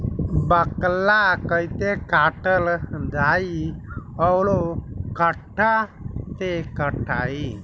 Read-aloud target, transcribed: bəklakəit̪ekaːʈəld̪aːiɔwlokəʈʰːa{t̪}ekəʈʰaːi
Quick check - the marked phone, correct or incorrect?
correct